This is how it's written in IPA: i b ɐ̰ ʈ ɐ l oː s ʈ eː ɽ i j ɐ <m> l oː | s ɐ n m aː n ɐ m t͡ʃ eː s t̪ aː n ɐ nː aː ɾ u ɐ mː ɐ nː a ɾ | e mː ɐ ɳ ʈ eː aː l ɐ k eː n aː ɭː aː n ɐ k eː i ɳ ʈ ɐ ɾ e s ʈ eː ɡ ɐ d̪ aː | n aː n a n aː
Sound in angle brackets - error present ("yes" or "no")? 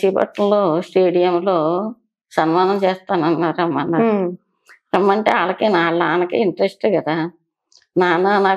no